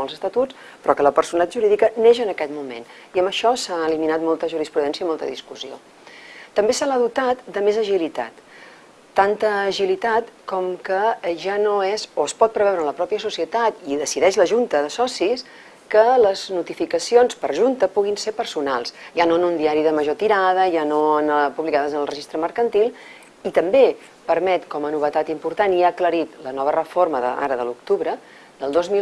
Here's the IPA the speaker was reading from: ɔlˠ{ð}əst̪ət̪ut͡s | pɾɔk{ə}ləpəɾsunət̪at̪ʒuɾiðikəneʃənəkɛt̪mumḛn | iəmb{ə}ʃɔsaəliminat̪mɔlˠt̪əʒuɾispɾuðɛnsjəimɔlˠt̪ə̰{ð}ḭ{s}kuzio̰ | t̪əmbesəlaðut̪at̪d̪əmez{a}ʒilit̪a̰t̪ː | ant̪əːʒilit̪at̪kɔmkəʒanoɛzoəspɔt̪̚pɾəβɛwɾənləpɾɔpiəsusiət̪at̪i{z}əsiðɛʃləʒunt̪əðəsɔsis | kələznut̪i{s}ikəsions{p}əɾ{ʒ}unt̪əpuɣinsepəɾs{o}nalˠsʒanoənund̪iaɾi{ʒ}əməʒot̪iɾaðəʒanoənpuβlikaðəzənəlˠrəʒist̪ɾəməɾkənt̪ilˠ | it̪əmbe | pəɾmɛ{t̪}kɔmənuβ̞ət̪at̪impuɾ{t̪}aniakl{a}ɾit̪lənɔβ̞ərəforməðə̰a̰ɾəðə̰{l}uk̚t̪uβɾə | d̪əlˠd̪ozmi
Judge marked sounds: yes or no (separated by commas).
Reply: no, yes, yes, yes, yes, no, no, no, yes, yes, no, no, yes, yes, no, yes